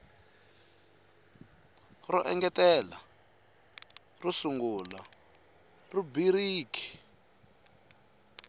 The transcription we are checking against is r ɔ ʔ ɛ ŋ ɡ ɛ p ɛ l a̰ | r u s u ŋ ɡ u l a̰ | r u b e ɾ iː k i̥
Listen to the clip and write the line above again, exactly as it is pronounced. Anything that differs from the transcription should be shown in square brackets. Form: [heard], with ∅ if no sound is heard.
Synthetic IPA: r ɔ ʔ ɛ ŋ ɡ ɛ [t] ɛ l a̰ | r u s u ŋ ɡ u l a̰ | r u b [i] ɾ iː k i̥